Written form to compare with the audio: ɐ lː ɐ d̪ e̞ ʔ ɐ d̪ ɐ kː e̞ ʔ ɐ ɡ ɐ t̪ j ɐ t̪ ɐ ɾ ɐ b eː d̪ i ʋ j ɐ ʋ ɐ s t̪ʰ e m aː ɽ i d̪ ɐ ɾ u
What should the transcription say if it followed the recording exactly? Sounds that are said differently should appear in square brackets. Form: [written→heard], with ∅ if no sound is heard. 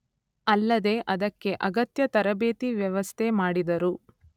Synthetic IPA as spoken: ɐ lː ɐ d̪ e̞ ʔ ɐ d̪ ɐ kː e̞ ʔ ɐ ɡ ɐ t̪ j ɐ t̪ ɐ ɾ ɐ b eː [d̪→t̪] i ʋ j ɐ ʋ ɐ s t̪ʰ e m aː ɽ i d̪ ɐ ɾ u